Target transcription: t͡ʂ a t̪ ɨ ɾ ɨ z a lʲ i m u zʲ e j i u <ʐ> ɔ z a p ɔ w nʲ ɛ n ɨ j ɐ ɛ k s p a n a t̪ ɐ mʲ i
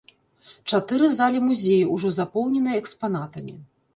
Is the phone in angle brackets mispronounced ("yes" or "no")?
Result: no